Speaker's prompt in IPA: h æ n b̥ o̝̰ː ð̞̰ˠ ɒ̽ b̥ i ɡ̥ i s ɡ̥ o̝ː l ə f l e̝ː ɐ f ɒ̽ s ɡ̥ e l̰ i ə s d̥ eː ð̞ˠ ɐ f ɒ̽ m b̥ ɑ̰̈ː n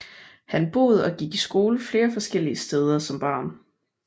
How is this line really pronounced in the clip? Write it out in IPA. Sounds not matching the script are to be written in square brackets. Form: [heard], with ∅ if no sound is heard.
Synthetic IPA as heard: h æ n b̥ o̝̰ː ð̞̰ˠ ɒ̽ [ɡ̥] i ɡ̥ i s ɡ̥ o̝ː l ə f l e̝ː ɐ f ɒ̽ s ɡ̥ e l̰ i ə s d̥ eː ð̞ˠ ɐ [s] ɒ̽ m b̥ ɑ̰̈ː n